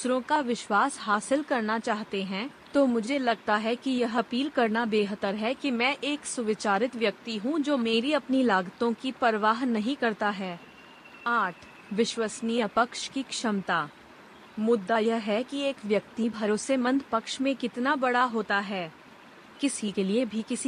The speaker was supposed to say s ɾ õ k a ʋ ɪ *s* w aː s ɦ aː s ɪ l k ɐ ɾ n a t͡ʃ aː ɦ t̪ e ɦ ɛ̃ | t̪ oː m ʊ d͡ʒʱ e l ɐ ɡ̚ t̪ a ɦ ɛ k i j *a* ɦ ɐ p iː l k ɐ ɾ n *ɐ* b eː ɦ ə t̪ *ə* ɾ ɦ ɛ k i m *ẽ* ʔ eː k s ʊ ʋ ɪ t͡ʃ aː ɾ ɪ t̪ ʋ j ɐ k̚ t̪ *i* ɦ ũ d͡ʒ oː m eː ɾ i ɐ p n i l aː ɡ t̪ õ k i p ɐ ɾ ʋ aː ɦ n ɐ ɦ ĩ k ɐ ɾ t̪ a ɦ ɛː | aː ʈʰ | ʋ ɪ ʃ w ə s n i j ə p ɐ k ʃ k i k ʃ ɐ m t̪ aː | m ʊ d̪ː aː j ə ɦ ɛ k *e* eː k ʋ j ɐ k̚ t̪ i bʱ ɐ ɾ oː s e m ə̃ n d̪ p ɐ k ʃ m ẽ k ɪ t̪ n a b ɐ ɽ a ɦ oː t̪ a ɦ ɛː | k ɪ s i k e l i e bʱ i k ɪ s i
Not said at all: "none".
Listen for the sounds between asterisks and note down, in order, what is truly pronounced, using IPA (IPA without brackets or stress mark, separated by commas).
ʃ, ɐ, a, ə, ɛ̃, i, i